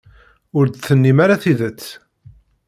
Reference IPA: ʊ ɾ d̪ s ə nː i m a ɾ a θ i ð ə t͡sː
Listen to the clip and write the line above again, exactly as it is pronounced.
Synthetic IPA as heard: ʊ ɾ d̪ θ ə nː i m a ɾ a θ i ð ə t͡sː